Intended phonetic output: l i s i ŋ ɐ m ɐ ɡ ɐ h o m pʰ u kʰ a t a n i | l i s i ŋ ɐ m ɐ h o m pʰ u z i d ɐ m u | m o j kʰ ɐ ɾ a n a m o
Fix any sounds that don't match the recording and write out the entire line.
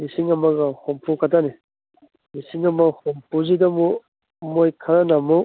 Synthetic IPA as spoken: l i s i ŋ ɐ m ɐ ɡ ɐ h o m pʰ u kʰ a t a n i | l i s i ŋ ɐ m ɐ h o m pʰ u z i d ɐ m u | m o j kʰ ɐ ɾ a n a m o